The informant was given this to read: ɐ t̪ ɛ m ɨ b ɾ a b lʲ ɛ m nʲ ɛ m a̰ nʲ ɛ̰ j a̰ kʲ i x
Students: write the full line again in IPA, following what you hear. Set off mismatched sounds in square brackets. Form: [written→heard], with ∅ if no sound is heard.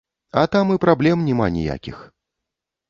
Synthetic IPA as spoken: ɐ t̪ [ɛ→a] m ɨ [b→p] ɾ a b lʲ ɛ m nʲ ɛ m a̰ nʲ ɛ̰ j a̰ kʲ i x